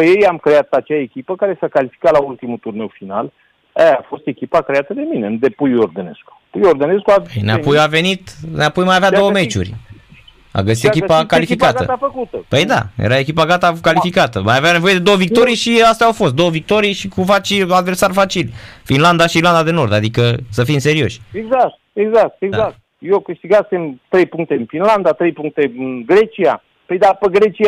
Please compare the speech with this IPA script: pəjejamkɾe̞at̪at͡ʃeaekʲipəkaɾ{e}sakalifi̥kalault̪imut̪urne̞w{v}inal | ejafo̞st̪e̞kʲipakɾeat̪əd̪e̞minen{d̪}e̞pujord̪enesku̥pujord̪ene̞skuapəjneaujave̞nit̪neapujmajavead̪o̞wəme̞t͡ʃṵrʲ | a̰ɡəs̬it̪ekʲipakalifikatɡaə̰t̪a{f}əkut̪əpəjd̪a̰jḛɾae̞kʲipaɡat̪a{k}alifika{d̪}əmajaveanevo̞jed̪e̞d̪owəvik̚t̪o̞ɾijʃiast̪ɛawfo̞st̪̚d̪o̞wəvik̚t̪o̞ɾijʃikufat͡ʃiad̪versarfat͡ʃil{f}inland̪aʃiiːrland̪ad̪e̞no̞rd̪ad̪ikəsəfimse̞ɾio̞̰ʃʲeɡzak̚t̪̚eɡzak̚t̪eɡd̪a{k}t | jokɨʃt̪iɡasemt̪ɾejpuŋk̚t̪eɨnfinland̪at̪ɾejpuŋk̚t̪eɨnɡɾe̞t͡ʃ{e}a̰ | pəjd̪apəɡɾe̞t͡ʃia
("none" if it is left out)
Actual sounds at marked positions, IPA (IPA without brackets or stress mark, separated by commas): e, f, d̪, f, k, t̪, f, k, i